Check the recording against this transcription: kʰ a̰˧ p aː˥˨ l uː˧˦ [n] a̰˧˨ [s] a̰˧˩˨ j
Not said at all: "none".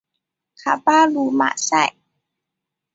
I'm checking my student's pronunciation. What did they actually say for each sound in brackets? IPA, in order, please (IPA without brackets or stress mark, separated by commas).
m, s